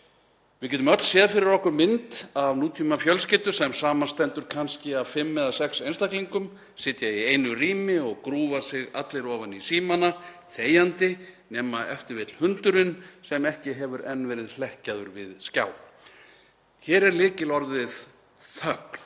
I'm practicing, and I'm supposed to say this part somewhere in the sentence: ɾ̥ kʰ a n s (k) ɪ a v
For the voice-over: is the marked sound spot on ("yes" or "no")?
no